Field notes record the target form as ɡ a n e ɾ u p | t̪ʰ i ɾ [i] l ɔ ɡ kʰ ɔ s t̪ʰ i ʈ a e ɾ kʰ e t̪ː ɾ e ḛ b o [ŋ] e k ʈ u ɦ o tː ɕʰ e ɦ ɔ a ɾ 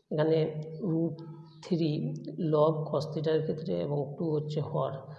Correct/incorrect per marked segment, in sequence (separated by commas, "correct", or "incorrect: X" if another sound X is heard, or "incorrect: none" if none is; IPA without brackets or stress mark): correct, correct